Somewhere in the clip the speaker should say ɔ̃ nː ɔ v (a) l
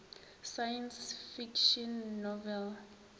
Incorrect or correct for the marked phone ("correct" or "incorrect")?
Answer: incorrect